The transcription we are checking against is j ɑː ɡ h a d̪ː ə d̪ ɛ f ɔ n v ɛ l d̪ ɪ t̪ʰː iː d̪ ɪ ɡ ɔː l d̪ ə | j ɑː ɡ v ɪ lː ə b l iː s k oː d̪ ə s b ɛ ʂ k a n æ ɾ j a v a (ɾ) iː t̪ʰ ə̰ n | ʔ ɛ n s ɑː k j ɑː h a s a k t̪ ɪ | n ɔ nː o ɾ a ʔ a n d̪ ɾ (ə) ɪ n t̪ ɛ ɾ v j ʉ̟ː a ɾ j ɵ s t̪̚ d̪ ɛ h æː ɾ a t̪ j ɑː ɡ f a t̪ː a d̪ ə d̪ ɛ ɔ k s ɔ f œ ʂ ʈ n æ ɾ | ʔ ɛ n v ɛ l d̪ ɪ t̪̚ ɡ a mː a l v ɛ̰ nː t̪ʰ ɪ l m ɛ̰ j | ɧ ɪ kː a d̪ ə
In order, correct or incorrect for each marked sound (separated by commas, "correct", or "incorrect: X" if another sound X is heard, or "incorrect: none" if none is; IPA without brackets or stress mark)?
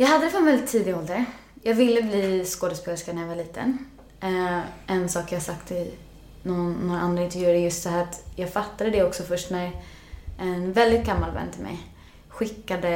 incorrect: ɭ, incorrect: a